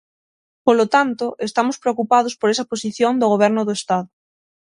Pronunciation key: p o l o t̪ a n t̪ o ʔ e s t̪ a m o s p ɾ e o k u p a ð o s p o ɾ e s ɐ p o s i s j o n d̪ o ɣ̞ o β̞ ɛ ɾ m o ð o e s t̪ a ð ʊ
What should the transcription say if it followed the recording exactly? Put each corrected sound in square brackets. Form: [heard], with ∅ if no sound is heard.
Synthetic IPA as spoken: p o l o t̪ a n t̪ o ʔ e s t̪ a m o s p ɾ e o k u p a ð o s p o ɾ e s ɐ p o s i [θ] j o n d̪ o ɣ̞ o β̞ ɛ ɾ [n] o ð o e s t̪ a ð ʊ